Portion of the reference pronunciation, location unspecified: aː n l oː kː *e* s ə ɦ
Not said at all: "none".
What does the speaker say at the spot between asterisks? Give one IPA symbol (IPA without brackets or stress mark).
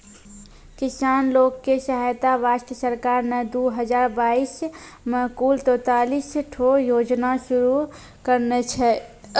e